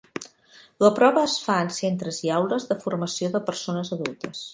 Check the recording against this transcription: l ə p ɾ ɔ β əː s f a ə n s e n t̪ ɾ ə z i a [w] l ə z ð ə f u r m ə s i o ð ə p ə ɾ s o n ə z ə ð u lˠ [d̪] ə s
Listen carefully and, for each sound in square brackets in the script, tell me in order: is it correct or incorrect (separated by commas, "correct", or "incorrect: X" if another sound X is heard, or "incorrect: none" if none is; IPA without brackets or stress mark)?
correct, incorrect: t̪